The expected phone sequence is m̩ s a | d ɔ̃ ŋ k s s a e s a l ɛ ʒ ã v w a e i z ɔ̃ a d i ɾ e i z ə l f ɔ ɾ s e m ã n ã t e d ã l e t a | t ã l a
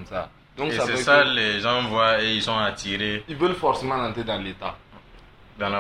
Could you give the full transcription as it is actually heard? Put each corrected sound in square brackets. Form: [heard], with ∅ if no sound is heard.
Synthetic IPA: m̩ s a | d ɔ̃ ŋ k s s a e s a l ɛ ʒ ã v w a e i [s] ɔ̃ a [t] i ɾ e i [v] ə l f ɔ ɾ s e m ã n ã t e d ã l e t a | [d] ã l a